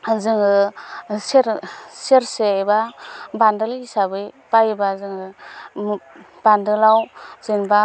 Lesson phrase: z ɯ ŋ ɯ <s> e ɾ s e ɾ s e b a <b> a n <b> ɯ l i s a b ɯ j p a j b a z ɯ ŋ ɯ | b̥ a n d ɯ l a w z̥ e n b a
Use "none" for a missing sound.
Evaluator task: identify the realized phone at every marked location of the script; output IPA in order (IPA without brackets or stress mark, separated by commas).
s, b, d